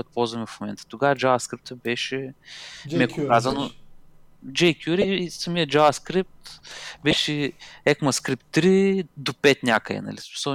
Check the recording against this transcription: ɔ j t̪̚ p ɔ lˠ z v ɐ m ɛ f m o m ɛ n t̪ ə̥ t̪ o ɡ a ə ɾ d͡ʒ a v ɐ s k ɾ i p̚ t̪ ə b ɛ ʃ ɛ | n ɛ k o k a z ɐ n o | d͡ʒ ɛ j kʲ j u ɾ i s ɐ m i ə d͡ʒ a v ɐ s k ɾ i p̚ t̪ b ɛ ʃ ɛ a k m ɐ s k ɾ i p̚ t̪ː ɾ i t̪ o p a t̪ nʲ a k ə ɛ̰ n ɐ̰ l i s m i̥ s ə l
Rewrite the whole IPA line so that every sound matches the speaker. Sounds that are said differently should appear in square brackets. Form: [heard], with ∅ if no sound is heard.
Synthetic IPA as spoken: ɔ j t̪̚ p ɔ lˠ z v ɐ m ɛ f m o m ɛ n t̪ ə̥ t̪ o ɡ a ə [∅] d͡ʒ a v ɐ s k ɾ i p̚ t̪ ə b ɛ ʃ ɛ | [m] ɛ k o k a z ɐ n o | d͡ʒ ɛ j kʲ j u ɾ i s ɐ m i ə d͡ʒ a v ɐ s k ɾ i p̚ t̪ b ɛ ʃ ɛ [ɛ] k m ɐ s k ɾ i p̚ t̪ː ɾ i [d̪] o p [ɛ] t̪ nʲ a k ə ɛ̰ n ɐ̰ l i s m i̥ s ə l